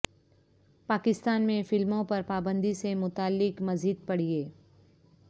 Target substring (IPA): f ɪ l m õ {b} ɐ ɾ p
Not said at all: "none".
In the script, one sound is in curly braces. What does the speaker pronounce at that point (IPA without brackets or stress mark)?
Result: p